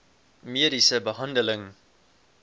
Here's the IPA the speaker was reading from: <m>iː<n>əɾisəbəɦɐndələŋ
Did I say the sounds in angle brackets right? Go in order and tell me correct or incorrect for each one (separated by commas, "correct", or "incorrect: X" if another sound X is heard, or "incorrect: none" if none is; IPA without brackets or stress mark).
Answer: correct, incorrect: none